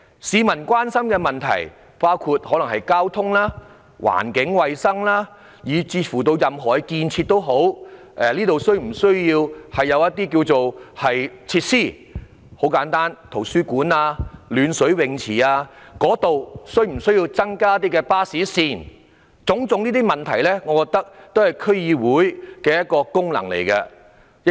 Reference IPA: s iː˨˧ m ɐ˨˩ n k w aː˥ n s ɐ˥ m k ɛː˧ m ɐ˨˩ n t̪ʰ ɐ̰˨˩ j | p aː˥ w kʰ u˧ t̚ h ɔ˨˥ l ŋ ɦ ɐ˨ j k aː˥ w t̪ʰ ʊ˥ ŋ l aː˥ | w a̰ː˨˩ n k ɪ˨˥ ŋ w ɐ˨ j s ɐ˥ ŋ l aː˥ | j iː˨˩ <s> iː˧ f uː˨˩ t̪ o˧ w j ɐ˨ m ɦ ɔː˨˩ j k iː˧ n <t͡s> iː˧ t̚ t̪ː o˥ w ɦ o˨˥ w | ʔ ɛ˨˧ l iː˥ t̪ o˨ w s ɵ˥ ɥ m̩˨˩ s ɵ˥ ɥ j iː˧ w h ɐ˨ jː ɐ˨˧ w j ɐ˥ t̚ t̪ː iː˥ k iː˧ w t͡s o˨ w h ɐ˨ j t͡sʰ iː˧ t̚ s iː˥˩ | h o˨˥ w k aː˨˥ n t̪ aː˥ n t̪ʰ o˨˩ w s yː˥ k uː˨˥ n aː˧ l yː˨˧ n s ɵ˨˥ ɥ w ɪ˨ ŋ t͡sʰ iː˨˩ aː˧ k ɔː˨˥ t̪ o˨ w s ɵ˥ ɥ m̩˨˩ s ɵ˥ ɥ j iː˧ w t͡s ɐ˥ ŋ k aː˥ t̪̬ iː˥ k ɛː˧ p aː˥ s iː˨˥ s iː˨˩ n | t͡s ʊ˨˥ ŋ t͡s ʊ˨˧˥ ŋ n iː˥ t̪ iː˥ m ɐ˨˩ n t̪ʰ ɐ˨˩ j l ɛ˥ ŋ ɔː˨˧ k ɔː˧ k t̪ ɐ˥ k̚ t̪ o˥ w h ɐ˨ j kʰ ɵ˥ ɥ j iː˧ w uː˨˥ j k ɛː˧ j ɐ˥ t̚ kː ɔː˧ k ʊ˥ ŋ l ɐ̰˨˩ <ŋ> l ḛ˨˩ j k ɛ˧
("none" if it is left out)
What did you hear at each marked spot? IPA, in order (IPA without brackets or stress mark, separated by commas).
t͡s, t͡sʰ, ŋ